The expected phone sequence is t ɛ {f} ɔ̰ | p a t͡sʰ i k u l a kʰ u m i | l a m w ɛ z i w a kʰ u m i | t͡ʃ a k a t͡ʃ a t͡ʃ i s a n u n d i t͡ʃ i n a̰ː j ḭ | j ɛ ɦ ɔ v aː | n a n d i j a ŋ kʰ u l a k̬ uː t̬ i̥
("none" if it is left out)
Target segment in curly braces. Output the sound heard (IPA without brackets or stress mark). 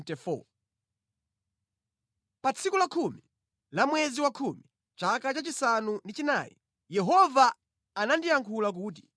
f